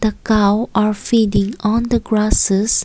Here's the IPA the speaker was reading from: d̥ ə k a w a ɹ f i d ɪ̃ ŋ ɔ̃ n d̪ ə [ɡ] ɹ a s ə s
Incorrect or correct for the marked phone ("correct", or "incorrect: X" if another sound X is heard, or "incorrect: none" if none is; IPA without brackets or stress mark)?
correct